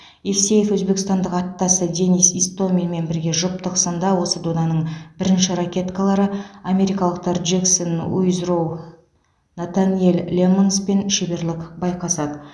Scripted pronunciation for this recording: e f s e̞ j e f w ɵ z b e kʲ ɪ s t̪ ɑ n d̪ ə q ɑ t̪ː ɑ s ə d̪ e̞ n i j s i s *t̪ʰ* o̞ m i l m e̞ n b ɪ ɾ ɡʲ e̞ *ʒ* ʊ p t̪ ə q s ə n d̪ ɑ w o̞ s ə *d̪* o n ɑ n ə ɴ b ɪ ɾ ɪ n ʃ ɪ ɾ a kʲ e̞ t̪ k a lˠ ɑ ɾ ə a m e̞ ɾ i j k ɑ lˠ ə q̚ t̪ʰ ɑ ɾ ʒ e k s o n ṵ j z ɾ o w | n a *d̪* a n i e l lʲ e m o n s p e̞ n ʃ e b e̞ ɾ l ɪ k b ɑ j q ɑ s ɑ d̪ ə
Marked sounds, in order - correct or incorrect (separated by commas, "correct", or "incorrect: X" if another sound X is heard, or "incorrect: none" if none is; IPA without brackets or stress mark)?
incorrect: t̪, correct, correct, incorrect: t̪